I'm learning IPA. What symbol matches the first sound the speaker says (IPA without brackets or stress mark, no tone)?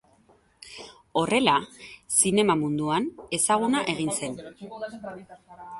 o̞